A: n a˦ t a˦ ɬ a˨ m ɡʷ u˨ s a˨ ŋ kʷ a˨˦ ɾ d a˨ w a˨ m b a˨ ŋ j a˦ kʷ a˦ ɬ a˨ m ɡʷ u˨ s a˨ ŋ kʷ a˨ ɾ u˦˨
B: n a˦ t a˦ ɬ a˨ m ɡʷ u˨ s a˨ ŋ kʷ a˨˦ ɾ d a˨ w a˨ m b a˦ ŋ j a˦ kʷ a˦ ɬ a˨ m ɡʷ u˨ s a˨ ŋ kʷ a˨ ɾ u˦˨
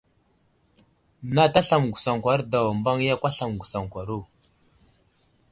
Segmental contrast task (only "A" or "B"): B